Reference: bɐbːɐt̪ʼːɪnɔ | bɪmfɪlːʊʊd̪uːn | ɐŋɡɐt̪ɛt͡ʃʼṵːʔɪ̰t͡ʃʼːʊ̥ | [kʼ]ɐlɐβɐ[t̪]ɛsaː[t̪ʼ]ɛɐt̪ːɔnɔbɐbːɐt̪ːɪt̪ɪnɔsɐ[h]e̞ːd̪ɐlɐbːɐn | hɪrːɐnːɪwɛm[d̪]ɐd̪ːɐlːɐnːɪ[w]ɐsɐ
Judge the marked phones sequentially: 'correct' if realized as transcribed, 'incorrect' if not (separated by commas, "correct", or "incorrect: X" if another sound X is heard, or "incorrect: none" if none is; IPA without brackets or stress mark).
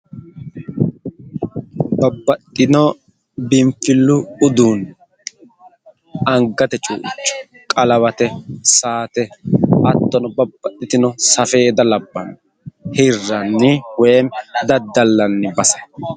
correct, correct, incorrect: t̪, incorrect: f, correct, incorrect: b